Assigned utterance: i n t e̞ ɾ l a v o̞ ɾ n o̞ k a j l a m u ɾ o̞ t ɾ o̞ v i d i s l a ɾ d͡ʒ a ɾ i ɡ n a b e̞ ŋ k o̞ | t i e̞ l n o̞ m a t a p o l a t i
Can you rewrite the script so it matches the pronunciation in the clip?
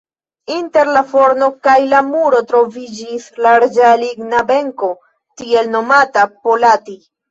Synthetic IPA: i n t e̞ ɾ l a f o̞ ɾ n o̞ k a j l a m u ɾ o̞ t ɾ o̞ v i d͡ʒ i s l a ɾ d͡ʒ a l i ɡ n a b e̞ ŋ k o̞ | t i e̞ l n o̞ m a t a p o l a t i